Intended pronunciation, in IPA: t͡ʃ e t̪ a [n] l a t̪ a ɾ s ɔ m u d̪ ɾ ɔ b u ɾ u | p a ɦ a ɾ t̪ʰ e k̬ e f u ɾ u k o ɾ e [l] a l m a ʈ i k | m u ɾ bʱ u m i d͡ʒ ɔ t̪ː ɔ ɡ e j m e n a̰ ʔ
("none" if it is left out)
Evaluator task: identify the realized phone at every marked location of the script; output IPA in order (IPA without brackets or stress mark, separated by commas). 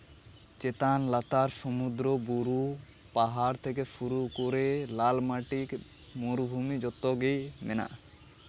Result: n, l